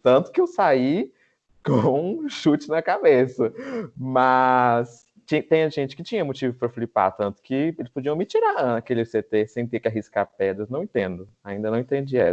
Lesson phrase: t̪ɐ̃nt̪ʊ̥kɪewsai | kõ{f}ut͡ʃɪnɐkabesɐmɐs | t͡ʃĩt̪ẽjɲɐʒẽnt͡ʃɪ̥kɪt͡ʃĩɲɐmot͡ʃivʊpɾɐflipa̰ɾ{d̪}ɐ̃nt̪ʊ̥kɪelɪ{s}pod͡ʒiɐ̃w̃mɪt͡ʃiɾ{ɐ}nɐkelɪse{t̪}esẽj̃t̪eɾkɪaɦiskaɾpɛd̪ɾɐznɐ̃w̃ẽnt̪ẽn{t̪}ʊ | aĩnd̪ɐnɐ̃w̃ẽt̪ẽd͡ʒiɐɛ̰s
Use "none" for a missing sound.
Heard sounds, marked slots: ʃ, t̪, s, a, t̪, d̪

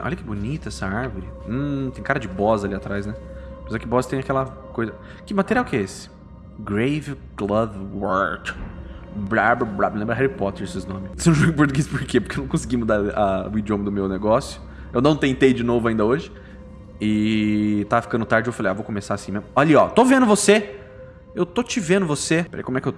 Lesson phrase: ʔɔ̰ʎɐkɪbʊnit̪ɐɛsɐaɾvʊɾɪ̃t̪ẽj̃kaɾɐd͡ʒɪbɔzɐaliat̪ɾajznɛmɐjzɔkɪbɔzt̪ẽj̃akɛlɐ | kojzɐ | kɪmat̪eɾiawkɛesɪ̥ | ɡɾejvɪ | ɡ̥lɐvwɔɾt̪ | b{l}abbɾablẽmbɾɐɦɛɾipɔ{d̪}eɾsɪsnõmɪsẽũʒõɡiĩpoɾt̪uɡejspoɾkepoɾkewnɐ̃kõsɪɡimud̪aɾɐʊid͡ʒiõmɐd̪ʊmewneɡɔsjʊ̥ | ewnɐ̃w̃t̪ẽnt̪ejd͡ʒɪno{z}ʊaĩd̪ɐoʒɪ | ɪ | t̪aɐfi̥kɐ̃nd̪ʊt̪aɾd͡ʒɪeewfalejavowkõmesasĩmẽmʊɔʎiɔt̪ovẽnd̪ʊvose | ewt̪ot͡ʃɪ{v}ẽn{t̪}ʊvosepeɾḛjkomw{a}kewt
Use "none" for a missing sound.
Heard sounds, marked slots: ɾ, t̪, v, v, d̪, ɛ

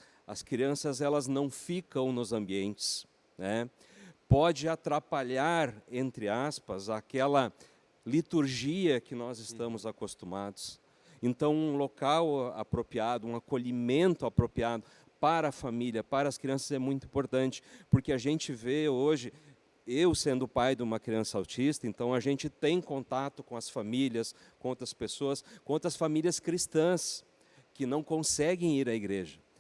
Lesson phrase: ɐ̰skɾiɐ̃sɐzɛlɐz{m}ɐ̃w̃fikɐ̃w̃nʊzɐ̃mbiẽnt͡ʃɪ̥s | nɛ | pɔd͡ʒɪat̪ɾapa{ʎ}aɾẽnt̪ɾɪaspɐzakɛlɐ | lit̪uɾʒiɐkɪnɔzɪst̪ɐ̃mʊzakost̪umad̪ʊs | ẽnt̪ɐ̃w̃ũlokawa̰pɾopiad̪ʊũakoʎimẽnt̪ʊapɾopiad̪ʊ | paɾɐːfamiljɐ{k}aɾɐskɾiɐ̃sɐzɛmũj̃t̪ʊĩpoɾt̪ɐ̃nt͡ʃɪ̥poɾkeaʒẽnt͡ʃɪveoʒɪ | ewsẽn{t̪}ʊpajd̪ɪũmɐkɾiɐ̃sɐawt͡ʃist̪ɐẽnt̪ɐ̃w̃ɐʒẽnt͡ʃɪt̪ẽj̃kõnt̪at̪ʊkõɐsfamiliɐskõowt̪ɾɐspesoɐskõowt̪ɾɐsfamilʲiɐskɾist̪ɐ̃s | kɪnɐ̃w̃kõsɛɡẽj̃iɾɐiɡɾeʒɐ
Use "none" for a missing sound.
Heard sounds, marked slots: n, ʎ, p, d̪

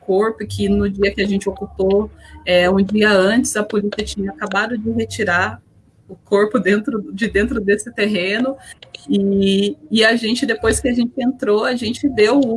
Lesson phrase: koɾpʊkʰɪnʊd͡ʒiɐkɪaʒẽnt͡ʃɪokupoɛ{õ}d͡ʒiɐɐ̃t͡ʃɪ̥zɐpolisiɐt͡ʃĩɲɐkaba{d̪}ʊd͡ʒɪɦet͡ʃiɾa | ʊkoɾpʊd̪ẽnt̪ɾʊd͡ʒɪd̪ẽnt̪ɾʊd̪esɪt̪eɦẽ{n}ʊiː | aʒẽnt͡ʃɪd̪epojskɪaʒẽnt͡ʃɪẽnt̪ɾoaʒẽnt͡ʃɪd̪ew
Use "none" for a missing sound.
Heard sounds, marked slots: ũ, d̪, n

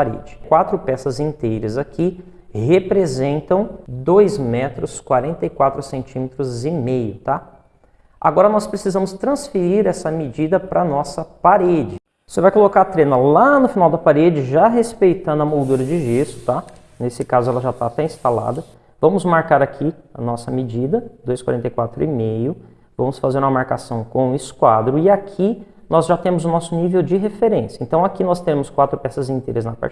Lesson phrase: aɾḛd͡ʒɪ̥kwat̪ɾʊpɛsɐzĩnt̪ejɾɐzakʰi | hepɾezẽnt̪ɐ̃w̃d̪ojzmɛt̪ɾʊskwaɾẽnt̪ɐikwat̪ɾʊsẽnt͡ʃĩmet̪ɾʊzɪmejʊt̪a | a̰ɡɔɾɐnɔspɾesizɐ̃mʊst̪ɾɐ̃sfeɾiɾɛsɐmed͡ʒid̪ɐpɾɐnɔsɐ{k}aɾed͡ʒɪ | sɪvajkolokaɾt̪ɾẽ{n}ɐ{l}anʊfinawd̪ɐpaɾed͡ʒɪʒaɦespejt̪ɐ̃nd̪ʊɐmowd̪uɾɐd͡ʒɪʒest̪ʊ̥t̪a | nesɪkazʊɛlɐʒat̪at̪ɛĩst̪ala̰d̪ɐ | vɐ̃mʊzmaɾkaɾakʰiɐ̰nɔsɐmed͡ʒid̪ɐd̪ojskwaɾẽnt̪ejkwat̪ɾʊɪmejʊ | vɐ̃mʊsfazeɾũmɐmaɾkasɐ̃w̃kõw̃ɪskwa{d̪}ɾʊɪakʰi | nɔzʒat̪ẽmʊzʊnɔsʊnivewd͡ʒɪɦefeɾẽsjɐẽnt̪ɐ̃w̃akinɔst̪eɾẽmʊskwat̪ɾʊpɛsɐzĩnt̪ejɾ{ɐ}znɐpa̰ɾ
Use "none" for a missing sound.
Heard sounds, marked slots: p, n, l, d̪, ɐ

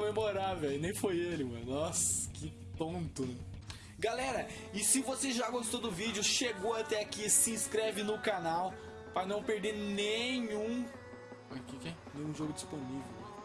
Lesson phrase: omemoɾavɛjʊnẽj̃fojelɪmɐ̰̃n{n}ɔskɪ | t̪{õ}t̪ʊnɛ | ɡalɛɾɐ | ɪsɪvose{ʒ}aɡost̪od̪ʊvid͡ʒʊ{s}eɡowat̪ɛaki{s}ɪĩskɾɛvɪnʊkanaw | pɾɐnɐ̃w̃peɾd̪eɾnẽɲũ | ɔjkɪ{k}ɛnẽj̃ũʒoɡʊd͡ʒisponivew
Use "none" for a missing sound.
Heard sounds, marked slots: n, õ, ʒ, ʃ, s, k

